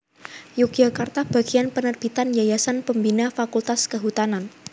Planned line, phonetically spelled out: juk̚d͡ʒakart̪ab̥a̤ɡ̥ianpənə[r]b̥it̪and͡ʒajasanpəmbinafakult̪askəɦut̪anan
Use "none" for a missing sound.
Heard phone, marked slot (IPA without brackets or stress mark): r